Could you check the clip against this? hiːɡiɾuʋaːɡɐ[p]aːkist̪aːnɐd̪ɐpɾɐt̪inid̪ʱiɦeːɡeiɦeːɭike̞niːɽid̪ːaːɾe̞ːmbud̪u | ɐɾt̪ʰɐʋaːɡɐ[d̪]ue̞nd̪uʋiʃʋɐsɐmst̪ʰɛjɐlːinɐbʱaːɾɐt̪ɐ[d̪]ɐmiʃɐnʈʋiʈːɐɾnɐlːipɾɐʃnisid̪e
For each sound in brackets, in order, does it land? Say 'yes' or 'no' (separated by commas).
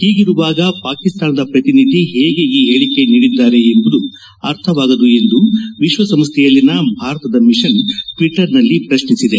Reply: yes, yes, yes